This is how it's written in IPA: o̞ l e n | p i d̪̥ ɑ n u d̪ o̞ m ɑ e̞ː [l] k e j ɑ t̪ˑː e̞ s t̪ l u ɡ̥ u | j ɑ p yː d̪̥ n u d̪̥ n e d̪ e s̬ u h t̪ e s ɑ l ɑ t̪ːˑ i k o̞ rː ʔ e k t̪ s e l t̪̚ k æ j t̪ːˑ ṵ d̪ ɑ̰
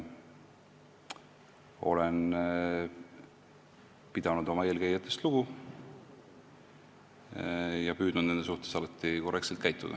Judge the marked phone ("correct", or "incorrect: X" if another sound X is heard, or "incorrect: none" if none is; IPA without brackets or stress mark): correct